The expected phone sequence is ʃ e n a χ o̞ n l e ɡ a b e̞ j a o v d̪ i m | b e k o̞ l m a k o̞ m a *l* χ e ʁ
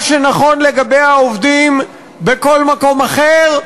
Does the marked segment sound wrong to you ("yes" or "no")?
yes